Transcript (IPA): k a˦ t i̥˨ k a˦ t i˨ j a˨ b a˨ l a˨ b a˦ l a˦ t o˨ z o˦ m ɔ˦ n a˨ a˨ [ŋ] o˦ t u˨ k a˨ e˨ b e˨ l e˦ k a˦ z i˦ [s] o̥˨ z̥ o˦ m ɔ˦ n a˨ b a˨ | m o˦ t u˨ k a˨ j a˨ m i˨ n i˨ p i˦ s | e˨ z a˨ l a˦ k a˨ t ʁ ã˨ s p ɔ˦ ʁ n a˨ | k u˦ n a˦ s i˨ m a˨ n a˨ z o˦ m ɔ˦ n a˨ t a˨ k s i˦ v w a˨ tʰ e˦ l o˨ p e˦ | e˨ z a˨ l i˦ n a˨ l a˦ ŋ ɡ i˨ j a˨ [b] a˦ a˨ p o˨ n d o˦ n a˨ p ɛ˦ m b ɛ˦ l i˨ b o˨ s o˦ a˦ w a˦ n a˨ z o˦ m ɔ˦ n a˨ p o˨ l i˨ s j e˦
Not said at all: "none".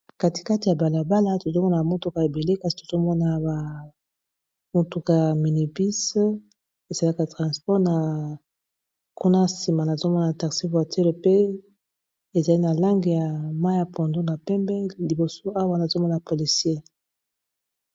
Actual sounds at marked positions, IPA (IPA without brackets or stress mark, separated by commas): m, t, m